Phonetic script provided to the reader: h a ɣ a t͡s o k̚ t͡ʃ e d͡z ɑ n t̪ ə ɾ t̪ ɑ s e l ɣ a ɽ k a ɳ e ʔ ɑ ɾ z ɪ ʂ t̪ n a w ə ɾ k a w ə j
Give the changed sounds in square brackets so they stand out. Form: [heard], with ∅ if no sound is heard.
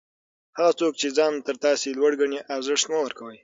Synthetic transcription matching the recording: h a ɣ a t͡s o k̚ t͡ʃ e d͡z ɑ n t̪ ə ɾ t̪ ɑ s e l [w] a ɽ [ɡ] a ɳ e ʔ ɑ ɾ z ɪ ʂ t̪ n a w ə ɾ k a w ə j